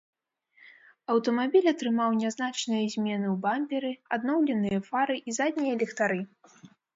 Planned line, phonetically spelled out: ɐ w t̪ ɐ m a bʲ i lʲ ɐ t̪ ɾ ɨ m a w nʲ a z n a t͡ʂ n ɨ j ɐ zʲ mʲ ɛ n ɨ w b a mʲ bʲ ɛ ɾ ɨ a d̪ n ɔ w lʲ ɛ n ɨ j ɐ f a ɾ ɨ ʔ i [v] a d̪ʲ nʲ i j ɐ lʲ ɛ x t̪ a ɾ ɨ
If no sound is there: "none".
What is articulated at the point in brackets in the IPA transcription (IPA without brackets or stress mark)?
z